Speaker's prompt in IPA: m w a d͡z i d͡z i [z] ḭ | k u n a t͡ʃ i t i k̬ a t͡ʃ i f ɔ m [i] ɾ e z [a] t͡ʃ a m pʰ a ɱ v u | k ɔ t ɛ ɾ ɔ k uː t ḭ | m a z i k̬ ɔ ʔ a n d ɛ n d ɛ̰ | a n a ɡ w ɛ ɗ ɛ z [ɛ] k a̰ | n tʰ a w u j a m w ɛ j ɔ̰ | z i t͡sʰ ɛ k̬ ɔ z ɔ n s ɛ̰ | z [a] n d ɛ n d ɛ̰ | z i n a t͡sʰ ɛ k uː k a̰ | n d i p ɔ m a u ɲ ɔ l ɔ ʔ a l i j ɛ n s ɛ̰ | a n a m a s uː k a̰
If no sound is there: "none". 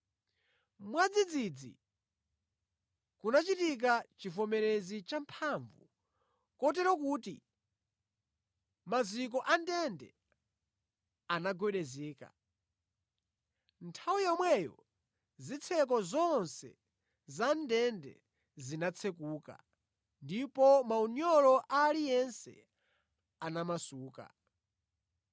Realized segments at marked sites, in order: d͡z, ɛ, i, ɛː, a

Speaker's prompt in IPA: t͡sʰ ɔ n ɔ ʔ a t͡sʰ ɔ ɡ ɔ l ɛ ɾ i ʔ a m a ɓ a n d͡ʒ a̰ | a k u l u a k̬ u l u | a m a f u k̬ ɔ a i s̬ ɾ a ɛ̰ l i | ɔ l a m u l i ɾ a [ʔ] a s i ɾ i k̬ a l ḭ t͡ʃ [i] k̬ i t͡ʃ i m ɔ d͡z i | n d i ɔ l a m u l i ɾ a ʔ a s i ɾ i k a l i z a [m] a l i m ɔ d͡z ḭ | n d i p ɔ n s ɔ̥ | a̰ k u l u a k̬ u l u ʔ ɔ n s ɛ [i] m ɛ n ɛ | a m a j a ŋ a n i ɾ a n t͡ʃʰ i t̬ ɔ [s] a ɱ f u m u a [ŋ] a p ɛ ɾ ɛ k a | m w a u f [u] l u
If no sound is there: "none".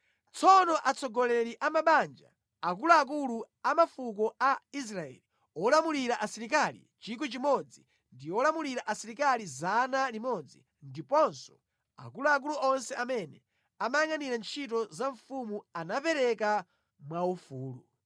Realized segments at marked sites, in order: ʔ, i, n, a, z, n, uː

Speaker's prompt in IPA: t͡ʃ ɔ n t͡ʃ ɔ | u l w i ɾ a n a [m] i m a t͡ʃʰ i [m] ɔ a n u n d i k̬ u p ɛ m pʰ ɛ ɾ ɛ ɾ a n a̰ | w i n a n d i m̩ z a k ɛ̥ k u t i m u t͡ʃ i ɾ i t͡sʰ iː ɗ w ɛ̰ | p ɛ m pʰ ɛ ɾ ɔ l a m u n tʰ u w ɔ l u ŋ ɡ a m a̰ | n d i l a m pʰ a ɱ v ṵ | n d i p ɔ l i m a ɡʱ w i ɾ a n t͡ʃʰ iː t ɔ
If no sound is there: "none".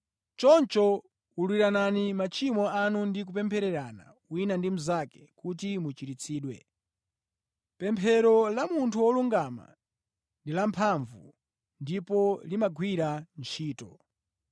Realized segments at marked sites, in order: n, m

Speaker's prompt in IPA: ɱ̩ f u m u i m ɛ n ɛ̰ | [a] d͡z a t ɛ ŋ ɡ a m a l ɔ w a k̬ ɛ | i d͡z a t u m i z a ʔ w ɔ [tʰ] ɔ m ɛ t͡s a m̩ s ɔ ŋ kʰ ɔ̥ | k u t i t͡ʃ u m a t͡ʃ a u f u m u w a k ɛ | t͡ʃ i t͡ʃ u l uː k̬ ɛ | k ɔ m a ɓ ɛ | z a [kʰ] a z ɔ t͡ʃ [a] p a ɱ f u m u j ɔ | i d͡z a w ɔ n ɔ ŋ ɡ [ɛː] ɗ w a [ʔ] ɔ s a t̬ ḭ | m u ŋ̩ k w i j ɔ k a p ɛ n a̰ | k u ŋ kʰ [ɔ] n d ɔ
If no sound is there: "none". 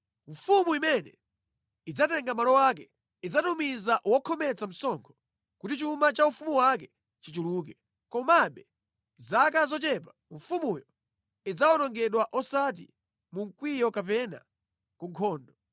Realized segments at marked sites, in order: i, kʰ, k, ɛ, ɛ, ʔ, ɔː

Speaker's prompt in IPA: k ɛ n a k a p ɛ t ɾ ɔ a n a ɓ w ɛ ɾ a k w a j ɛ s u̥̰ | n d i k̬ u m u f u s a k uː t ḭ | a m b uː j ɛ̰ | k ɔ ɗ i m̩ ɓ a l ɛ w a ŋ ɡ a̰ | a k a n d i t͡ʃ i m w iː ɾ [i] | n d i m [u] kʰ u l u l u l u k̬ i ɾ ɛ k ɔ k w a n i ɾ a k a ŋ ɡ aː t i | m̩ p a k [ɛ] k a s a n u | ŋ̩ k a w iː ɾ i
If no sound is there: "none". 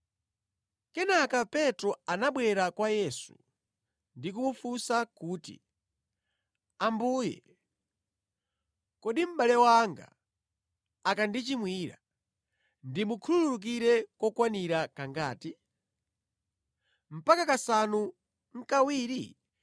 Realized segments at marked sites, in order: a, u, a

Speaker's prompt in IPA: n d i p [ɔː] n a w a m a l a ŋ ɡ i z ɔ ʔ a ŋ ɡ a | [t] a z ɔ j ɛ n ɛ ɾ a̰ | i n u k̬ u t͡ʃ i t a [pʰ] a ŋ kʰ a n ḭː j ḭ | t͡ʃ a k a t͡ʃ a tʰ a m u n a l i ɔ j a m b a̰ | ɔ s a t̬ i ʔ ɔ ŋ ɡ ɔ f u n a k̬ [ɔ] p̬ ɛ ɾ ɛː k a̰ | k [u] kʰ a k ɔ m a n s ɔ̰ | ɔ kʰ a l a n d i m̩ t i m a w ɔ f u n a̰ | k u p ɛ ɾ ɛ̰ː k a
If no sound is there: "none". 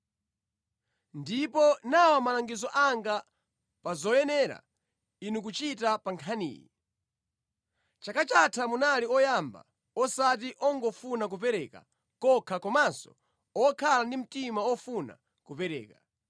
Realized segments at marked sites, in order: ɔ, p, p, u, ɔ

